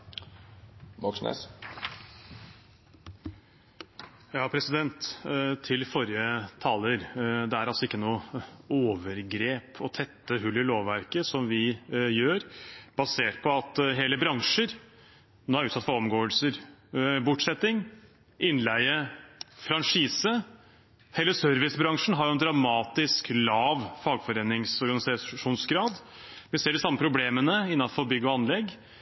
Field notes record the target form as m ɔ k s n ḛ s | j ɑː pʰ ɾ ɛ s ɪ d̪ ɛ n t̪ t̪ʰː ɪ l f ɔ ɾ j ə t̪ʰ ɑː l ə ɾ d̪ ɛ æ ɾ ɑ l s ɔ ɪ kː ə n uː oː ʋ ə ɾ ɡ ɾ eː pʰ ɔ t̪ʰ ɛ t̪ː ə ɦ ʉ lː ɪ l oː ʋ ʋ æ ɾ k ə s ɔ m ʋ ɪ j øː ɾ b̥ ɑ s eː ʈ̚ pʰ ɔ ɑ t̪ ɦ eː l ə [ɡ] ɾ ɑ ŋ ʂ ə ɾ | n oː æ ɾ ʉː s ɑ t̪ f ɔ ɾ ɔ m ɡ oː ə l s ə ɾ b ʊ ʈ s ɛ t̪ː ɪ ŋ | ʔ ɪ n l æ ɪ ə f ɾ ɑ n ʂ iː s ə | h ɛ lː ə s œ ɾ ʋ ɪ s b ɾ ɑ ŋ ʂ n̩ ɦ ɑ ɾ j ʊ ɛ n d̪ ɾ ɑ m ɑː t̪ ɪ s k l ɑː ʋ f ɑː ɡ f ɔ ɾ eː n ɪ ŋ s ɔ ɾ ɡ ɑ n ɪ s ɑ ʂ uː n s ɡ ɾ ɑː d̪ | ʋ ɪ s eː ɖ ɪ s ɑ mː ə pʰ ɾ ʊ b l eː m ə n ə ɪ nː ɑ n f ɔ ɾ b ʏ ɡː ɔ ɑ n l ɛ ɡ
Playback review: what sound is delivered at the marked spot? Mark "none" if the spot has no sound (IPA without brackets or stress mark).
b